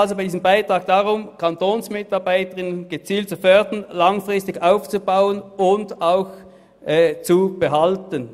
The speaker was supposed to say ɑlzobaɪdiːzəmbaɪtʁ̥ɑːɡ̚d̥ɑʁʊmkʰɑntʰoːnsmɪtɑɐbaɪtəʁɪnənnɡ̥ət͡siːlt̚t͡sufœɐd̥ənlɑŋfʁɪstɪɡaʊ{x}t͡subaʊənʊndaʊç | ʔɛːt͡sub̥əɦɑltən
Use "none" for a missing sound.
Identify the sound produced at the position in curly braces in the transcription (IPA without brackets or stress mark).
f